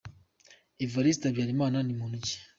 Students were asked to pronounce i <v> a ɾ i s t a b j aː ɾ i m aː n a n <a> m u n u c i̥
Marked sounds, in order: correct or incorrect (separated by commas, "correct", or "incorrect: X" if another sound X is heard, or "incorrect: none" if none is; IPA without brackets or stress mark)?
correct, incorrect: i